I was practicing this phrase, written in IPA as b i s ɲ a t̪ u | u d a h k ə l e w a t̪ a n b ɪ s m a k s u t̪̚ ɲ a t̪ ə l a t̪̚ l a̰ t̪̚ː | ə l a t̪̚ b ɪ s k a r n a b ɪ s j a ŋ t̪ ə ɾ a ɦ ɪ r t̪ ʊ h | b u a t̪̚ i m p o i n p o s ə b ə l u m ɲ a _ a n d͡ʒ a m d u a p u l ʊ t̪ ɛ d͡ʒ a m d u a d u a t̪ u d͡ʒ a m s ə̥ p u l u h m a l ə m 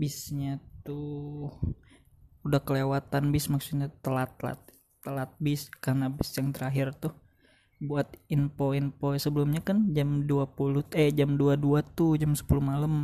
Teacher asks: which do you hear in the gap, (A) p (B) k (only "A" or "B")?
B